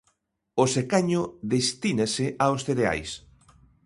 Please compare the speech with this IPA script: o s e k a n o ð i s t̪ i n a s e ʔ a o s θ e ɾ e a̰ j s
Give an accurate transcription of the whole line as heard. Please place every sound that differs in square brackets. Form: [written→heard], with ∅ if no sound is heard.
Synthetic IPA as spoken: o s e k a [n→ɲ] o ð [i→e] s t̪ i n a s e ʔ a o s θ e ɾ e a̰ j s